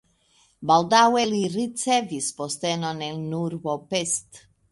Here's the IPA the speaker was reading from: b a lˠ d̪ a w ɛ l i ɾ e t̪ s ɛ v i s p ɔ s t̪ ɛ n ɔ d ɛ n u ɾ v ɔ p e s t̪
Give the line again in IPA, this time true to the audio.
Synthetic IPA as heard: b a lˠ d̪ a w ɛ l i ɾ i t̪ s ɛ v i s p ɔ s t̪ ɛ n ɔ n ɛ n u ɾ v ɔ p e s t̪